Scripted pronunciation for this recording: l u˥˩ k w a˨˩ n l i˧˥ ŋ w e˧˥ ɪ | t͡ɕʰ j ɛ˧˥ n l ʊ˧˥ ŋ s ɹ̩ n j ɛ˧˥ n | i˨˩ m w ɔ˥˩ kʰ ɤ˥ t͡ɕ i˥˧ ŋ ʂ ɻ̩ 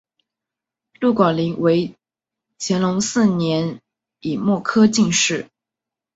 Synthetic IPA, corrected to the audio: l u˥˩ k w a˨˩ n l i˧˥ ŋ w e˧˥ ɪ | t͡ɕʰ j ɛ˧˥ n l ʊ˧˥ ŋ s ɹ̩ n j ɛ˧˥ n | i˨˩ m w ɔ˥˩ kʰ ɤ˥ t͡ɕ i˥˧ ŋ ʂ ɻ̩